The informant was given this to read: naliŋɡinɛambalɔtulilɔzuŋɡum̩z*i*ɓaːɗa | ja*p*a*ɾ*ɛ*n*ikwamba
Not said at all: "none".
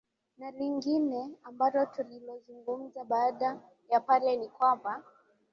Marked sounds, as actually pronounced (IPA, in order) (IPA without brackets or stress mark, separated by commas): a, p, l, n